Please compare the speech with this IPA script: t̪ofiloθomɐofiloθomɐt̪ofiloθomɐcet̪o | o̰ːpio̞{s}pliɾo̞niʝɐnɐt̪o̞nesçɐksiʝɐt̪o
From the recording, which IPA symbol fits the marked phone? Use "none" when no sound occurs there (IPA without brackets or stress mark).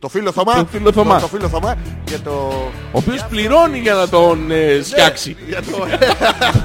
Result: s